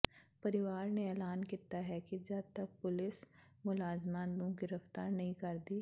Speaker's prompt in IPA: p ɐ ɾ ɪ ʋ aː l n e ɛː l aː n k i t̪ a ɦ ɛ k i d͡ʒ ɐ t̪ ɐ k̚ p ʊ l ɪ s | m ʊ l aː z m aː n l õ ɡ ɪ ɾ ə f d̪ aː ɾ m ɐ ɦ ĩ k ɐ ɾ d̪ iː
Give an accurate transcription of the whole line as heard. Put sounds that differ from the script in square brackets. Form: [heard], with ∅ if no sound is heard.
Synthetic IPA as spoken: p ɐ ɾ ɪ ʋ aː [ɾ] n e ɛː l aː n k i t̪ a ɦ ɛ k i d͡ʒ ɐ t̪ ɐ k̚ p ʊ l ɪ s | m ʊ l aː z m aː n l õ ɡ ɪ ɾ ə f [t̪] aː ɾ [n] ɐ ɦ ĩ k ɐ ɾ d̪ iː